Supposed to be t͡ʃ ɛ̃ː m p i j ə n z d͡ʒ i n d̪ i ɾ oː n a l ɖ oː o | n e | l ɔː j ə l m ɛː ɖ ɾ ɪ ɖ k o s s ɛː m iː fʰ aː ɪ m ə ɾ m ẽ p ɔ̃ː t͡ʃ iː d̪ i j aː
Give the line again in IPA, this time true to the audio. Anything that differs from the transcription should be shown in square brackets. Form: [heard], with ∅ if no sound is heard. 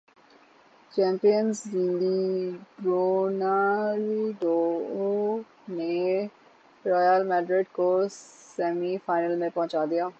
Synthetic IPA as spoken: t͡ʃ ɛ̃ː m p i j ə n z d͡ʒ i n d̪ i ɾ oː n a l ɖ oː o | n e | [ɾ] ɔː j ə l m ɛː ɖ ɾ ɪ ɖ k o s s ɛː m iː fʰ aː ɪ [n] ə [l] m ẽ p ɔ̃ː t͡ʃ [aː] d̪ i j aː